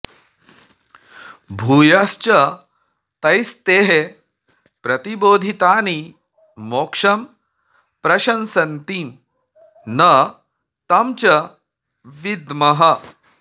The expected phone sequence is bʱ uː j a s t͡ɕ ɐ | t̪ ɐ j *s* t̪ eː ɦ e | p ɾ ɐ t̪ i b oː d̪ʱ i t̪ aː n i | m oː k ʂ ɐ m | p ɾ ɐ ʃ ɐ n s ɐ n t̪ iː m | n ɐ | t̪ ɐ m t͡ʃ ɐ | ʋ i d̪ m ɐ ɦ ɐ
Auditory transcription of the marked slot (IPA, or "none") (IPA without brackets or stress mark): s